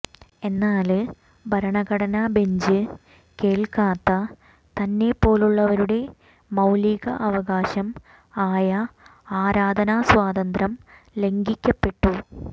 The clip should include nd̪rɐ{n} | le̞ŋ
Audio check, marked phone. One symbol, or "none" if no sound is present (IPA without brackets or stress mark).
m